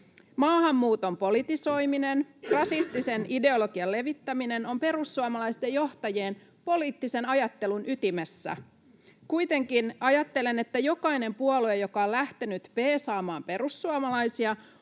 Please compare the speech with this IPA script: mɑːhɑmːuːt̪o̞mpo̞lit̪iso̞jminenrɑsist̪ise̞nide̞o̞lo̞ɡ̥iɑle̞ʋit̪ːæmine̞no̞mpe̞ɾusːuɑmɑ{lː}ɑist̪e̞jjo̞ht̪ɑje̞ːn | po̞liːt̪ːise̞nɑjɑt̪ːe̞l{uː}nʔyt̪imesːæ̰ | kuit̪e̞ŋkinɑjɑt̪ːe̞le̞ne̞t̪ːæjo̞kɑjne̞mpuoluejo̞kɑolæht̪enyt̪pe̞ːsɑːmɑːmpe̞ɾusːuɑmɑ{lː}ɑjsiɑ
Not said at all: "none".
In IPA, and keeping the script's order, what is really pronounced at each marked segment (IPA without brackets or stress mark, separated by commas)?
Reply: l, u, l